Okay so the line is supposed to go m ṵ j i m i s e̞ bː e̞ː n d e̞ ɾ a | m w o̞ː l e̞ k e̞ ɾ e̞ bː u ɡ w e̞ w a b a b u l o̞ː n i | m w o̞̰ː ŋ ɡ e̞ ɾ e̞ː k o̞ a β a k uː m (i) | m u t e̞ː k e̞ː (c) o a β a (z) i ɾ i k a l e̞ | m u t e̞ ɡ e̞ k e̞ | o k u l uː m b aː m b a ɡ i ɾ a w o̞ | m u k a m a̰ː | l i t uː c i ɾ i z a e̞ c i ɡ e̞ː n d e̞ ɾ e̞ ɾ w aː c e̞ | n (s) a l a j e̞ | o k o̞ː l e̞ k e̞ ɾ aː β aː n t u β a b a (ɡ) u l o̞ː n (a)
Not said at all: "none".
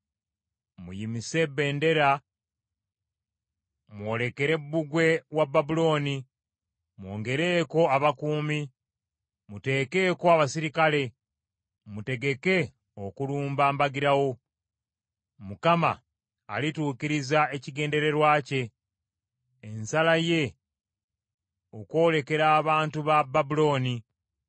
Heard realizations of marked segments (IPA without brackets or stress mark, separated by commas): i, k, s, s, b, i